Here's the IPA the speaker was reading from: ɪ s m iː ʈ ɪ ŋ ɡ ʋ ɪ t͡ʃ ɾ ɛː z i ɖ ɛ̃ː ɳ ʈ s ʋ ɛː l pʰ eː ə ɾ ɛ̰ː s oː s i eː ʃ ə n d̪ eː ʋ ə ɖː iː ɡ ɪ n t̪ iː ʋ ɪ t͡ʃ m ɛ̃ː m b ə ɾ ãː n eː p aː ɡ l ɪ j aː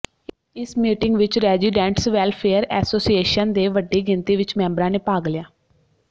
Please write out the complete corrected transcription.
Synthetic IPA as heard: ɪ s m iː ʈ ɪ ŋ ɡ ʋ ɪ t͡ʃ ɾ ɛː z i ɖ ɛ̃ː ɳ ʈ s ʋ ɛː l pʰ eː ə ɾ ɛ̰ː s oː s i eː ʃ ə n d̪ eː ʋ ə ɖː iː ɡ ɪ n t̪ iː ʋ ɪ t͡ʃ m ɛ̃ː m b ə ɾ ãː n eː p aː ɡ l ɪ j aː